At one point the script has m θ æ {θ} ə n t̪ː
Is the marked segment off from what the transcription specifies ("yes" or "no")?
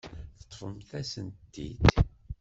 yes